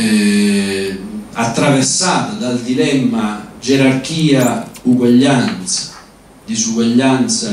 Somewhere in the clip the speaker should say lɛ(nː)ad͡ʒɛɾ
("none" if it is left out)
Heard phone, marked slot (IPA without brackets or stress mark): mː